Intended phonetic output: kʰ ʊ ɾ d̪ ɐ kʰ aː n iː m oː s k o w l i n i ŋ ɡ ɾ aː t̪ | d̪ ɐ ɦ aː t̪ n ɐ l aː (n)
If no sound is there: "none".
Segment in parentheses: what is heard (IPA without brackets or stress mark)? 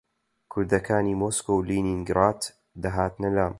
m